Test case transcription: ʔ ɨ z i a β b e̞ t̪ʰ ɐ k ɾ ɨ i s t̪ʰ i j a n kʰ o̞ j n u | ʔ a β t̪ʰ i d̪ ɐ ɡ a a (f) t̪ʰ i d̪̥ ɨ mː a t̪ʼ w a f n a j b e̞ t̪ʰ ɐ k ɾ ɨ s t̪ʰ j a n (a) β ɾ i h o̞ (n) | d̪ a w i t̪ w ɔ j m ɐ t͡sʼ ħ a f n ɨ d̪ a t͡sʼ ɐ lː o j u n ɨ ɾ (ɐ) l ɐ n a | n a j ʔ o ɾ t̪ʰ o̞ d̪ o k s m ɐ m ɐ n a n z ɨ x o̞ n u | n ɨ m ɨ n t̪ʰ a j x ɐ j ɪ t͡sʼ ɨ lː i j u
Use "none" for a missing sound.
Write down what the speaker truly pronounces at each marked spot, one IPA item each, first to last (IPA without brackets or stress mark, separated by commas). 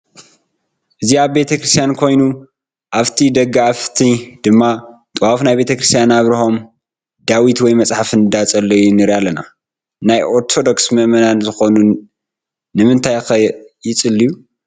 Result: f, a, m, a